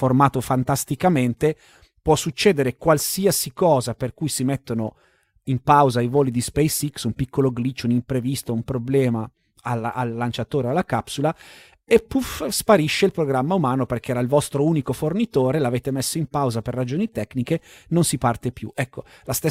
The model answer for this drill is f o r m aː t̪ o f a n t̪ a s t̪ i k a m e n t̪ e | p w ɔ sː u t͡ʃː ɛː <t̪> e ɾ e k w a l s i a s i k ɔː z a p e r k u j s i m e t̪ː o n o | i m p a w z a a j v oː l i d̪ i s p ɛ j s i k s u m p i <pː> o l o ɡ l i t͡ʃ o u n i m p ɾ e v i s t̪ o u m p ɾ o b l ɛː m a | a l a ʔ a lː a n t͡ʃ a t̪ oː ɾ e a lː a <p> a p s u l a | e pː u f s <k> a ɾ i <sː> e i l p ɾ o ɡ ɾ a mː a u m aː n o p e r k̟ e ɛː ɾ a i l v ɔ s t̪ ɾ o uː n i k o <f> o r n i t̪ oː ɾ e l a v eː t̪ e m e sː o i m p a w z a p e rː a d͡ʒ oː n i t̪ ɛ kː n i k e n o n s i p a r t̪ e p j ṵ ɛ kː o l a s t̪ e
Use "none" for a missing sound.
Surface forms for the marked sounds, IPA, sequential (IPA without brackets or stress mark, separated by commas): d̪, kː, k, p, ʃː, f